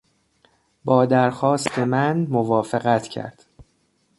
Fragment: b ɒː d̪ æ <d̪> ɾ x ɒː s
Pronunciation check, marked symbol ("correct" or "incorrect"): incorrect